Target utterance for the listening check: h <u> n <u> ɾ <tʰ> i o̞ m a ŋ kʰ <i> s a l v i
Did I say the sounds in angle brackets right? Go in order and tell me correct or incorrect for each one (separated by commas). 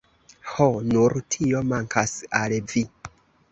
incorrect, correct, correct, incorrect